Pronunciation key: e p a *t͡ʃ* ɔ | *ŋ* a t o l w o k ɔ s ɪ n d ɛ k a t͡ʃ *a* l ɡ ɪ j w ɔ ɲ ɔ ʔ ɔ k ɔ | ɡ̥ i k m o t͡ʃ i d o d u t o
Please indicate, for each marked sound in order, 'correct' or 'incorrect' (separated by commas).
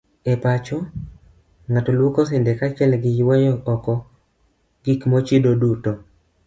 correct, correct, incorrect